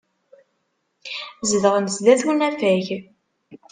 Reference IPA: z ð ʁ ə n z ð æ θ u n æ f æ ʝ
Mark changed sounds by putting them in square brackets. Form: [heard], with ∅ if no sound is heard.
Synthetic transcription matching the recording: z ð ʁ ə n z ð æ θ u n æ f æ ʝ